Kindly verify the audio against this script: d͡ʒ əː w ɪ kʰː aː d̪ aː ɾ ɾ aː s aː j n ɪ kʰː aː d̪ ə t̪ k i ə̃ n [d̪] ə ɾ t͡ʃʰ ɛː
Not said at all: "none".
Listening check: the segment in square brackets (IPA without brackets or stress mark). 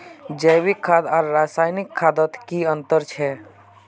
t̪